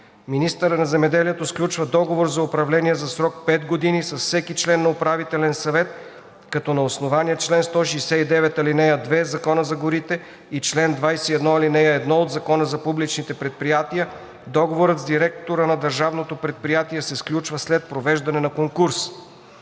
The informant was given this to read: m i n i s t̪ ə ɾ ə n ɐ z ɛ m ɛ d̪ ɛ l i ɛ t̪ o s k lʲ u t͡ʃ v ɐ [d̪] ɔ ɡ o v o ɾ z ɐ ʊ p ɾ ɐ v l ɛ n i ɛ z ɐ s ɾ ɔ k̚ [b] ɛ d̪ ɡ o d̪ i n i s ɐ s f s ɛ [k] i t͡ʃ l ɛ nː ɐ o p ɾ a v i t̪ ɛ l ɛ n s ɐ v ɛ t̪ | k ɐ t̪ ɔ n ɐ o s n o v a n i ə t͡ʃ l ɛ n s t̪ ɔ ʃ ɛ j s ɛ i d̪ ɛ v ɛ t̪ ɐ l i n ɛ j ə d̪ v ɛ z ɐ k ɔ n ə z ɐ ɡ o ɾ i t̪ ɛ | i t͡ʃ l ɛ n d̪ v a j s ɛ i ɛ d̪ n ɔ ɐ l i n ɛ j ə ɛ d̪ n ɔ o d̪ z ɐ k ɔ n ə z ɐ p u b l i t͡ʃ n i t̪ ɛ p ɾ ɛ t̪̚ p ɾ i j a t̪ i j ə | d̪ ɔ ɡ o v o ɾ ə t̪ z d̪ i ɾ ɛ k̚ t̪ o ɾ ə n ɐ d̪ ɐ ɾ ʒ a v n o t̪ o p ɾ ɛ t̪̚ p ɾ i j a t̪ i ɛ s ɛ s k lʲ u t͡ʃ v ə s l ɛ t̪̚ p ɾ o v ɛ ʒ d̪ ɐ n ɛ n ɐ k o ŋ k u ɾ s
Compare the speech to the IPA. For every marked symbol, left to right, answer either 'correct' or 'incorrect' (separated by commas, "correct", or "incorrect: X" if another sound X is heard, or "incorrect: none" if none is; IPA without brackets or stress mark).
correct, incorrect: p, correct